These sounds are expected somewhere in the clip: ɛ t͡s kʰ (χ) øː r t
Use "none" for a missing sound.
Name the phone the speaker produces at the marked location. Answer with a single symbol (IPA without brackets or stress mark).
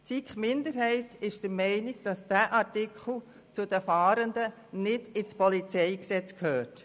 h